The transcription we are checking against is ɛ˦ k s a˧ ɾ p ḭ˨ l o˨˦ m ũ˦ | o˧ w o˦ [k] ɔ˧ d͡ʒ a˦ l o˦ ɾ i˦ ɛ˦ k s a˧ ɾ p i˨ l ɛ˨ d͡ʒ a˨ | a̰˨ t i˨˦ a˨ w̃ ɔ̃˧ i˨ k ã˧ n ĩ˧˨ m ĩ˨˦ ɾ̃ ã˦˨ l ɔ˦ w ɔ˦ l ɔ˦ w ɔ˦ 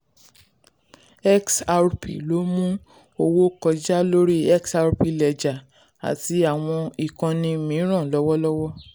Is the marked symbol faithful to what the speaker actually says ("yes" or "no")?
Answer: yes